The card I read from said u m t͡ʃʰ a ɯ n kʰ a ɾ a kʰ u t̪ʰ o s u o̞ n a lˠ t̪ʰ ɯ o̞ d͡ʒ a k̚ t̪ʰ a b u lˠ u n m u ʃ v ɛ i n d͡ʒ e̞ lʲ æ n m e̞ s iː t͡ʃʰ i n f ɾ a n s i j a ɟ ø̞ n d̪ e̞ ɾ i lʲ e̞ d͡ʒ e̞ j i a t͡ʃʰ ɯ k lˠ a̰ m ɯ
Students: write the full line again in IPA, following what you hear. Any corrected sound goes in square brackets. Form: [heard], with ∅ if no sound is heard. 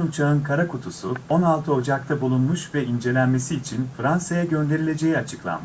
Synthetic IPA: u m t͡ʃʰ a ɯ n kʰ a ɾ a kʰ u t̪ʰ [u] s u o̞ n a lˠ t̪ʰ ɯ o̞ d͡ʒ a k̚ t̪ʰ a b u lˠ u n m u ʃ v ɛ i n d͡ʒ e̞ lʲ æ n m e̞ s iː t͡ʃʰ i n f ɾ a n s [a] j a ɟ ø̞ n d̪ e̞ ɾ i lʲ e̞ d͡ʒ e̞ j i a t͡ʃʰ ɯ k lˠ a̰ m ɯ